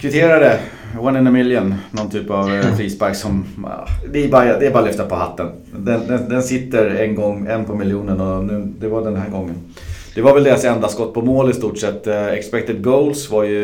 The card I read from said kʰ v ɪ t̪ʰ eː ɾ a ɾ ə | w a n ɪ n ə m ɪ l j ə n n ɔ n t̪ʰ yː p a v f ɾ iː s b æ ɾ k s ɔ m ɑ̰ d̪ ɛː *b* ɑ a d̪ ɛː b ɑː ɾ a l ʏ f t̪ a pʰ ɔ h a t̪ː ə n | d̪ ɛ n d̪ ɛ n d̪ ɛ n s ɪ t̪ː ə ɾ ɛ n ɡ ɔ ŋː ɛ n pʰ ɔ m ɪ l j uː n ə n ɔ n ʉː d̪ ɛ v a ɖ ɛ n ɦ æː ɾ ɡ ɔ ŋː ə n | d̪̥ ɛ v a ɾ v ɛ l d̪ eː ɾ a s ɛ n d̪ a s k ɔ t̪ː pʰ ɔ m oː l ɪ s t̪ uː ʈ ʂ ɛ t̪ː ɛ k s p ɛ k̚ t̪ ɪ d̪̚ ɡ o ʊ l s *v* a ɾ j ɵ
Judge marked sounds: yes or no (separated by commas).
yes, yes